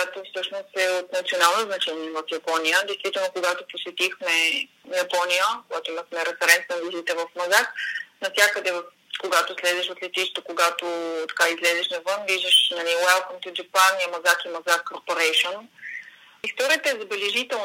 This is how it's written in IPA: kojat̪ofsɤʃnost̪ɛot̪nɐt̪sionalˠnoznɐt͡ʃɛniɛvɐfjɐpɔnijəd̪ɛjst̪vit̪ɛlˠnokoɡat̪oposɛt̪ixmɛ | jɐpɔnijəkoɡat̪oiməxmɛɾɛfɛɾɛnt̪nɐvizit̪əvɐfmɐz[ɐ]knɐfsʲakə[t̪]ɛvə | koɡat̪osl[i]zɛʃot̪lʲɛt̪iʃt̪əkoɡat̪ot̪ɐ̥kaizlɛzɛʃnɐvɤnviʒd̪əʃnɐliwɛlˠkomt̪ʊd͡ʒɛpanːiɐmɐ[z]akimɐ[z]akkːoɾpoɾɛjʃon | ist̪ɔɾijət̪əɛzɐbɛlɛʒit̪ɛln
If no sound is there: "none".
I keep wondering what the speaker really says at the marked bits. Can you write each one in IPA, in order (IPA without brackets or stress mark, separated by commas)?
a, d̪, ɛ, z, z